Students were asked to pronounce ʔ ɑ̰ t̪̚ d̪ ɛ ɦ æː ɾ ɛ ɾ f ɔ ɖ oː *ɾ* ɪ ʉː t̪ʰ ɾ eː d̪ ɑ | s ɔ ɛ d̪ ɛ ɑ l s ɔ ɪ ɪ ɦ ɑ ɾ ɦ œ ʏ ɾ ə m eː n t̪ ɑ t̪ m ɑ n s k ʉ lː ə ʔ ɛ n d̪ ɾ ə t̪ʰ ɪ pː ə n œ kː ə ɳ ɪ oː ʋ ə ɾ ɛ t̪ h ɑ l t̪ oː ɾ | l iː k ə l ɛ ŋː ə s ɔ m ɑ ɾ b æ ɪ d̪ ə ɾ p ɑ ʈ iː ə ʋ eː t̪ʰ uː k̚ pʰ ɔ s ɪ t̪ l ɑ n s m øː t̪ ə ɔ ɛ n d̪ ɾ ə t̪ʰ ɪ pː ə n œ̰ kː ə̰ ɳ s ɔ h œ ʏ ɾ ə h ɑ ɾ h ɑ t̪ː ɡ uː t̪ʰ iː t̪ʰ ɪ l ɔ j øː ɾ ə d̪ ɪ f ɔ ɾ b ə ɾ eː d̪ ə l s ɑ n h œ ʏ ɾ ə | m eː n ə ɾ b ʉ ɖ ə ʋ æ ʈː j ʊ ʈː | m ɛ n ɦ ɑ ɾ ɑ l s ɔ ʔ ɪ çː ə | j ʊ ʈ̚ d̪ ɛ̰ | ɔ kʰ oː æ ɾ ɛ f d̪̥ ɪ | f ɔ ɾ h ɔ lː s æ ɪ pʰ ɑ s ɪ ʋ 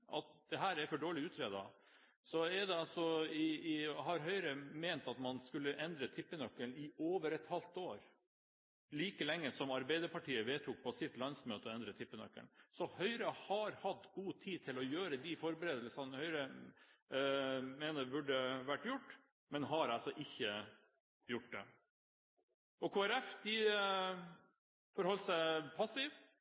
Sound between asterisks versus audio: incorrect: ɭ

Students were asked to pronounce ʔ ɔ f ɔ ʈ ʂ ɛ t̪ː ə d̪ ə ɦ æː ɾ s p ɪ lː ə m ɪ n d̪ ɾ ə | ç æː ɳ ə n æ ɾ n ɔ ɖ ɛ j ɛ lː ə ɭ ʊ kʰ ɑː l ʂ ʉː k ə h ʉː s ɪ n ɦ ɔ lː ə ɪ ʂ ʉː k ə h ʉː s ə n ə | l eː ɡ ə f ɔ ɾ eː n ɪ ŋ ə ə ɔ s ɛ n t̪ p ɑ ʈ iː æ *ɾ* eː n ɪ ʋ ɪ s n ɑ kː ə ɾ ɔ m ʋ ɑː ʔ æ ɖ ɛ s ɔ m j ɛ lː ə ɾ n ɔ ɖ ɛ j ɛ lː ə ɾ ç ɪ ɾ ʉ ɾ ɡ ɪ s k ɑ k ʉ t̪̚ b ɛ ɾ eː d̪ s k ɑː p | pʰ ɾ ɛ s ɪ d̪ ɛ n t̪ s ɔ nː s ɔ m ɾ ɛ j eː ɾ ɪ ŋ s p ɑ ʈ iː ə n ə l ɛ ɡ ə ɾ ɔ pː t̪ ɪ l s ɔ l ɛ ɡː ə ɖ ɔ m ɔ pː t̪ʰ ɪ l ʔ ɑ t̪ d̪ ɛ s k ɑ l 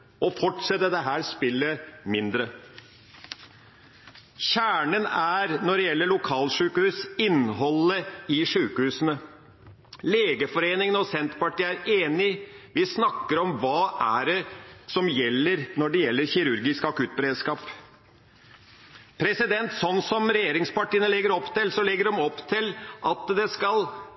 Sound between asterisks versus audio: correct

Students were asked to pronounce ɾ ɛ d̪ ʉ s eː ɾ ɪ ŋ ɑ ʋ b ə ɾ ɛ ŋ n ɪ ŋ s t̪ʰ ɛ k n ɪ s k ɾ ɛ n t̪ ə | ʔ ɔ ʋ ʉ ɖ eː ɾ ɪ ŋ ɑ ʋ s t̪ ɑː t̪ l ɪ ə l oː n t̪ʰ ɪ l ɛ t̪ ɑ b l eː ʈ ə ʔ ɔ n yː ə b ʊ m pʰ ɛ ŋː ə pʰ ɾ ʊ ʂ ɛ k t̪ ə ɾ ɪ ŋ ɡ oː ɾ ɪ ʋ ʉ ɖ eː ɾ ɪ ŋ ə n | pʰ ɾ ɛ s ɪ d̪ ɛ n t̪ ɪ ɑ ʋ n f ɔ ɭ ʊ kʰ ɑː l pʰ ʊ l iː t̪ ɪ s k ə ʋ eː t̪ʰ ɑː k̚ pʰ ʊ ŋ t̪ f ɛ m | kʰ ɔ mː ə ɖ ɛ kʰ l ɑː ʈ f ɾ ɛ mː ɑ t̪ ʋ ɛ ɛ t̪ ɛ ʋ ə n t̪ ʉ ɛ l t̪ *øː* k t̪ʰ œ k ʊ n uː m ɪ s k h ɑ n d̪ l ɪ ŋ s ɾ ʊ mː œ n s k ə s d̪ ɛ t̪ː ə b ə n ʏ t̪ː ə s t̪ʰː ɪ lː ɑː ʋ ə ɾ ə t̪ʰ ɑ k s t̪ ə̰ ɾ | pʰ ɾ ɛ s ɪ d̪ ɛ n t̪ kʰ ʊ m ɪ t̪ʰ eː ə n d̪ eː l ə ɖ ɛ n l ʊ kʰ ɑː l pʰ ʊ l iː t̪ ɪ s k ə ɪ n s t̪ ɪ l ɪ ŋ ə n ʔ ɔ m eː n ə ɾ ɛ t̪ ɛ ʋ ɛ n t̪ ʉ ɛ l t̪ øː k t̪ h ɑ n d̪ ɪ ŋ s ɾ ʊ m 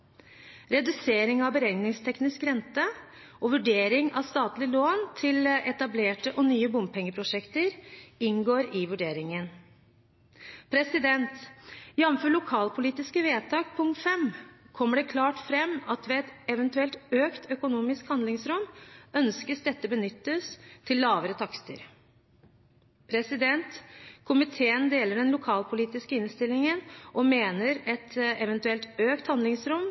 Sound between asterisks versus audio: correct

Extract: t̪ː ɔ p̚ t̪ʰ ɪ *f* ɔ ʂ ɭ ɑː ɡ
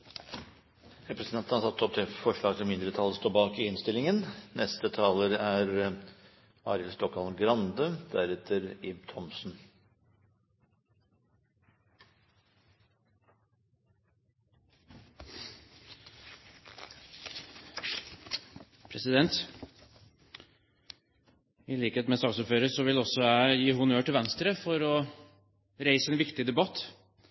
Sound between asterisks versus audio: correct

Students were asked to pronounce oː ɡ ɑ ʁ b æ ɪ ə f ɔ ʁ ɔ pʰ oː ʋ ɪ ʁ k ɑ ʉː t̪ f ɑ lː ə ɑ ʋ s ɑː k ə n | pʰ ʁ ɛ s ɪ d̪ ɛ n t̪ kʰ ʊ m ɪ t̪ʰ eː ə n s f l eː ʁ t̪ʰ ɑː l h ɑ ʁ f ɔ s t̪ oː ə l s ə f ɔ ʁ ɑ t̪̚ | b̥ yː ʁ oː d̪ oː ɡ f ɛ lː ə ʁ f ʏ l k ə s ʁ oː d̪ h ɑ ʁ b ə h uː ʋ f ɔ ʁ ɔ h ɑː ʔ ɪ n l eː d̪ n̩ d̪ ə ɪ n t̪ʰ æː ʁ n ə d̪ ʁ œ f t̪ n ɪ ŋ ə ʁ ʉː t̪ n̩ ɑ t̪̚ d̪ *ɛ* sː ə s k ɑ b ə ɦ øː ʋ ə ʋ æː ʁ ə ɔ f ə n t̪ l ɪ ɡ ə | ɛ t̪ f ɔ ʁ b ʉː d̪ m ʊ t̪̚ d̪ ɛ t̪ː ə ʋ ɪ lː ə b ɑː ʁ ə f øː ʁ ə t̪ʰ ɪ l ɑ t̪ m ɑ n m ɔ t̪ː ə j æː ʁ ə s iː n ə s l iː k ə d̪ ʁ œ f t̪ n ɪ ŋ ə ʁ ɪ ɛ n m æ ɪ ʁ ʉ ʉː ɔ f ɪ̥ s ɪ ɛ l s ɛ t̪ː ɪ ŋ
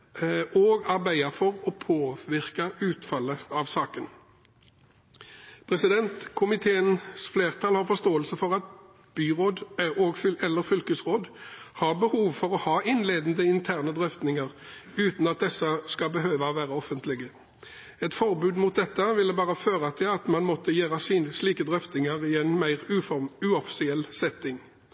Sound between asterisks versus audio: correct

